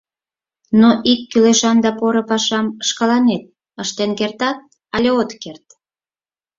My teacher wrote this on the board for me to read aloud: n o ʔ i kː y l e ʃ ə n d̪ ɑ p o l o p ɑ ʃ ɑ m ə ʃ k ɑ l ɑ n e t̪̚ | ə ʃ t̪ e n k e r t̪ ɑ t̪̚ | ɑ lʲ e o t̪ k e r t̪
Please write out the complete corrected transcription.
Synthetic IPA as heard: n o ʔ i kː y l e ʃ ɑ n d̪ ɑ p o ɾ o p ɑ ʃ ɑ m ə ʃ k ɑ l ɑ n e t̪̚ | ə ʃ t̪ e n k e r t̪ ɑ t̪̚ | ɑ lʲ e o t̪ k e r t̪